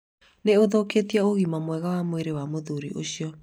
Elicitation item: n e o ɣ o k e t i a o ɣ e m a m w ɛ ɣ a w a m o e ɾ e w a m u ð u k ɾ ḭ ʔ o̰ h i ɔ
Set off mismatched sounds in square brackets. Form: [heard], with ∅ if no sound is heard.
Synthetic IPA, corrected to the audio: n e o [ð] o k e t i a o ɣ [i] m a m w ɛ ɣ a w a m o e ɾ e w a m [o] ð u [∅] ɾ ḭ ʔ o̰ [ɕ] i ɔ